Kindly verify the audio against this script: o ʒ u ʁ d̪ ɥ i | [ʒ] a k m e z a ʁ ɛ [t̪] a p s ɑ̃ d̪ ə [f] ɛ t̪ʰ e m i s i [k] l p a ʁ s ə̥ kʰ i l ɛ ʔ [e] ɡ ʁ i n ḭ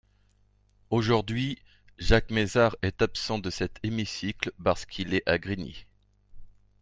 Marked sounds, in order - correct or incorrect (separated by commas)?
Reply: correct, correct, incorrect, correct, incorrect